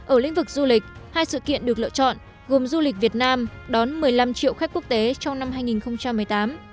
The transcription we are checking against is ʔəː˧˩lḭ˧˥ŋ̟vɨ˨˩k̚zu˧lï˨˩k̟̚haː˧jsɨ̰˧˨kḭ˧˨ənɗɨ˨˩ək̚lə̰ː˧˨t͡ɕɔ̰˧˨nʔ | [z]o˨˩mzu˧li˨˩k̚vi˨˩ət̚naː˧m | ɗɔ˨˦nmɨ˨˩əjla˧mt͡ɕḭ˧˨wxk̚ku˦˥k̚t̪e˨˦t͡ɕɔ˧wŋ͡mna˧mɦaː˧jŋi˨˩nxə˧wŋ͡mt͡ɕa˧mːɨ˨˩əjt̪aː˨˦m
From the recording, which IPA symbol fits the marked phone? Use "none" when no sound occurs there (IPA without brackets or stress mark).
ɣ